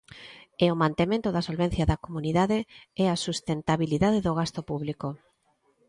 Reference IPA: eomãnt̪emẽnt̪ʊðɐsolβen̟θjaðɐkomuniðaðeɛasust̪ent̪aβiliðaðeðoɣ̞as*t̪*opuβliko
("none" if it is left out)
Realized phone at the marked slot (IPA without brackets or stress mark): t̪